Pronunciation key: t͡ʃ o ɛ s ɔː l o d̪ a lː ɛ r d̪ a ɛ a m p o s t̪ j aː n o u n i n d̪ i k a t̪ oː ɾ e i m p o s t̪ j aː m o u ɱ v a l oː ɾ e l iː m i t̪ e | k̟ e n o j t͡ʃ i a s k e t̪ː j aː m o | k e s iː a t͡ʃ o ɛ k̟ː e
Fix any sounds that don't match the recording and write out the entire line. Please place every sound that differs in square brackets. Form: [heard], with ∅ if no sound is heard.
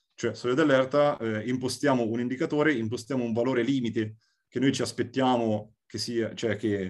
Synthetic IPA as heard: t͡ʃ o ɛ s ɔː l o d̪ a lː ɛ r [t̪] a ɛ [i] m p o s t̪ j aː [m] o u n i n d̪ i k a t̪ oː ɾ e i m p o s t̪ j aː m o u ɱ v a l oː ɾ e l iː m i t̪ e | k̟ e n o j t͡ʃ i a s [p] e t̪ː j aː m o | k e s iː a t͡ʃ o ɛ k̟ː e